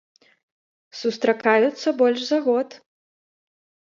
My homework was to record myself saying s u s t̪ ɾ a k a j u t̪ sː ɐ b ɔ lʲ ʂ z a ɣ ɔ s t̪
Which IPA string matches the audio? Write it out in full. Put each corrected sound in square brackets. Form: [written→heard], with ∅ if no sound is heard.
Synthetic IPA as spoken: s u s t̪ ɾ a k a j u t̪ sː ɐ b ɔ lʲ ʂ z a ɣ ɔ [s→∅] t̪